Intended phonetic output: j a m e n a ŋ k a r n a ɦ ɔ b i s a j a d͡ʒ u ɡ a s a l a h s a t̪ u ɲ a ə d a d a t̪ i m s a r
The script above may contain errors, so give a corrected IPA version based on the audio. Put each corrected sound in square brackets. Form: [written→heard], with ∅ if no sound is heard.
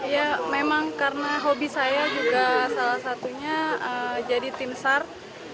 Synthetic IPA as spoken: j a m e [n→m] a ŋ k a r n a ɦ [ɔ→o] b i s a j a d͡ʒ u ɡ a s a l a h s a t̪ u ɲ a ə [d→d͡ʒ] a d [a→i] t̪ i m s a r